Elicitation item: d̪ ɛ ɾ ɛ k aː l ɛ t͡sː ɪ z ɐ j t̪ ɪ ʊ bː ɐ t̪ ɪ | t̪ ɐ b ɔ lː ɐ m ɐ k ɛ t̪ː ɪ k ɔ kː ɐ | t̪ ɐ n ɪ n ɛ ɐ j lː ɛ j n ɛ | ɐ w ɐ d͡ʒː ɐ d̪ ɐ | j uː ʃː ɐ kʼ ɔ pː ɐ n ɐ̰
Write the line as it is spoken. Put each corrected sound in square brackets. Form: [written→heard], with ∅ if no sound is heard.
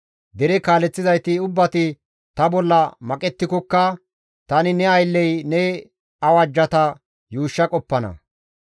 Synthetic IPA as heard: d̪ ɛ ɾ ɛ k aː l ɛ t͡sː ɪ z ɐ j t̪ ɪ ʊ bː ɐ t̪ ɪ | t̪ ɐ b ɔ lː ɐ m ɐ [k→kʼ] ɛ t̪ː ɪ k ɔ kː ɐ | t̪ ɐ n ɪ n ɛ ɐ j lː ɛ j n ɛ | ɐ w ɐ d͡ʒː ɐ [d̪→t̪] ɐ | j uː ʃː ɐ kʼ ɔ pː ɐ n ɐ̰